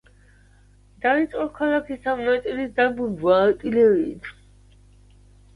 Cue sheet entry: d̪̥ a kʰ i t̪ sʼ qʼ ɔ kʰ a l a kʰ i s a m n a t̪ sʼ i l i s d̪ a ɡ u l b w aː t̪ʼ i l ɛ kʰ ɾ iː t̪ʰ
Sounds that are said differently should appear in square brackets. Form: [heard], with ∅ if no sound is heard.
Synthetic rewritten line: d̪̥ a [∅] i t̪ sʼ qʼ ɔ kʰ a l a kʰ i s a m n a t̪ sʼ i l i s d̪ a [b] u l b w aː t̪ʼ i l ɛ [∅] ɾ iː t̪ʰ